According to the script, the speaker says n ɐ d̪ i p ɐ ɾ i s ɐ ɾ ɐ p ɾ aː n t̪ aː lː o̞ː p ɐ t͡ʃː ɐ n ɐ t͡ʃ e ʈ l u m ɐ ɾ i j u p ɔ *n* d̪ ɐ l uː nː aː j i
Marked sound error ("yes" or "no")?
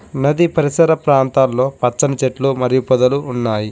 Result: yes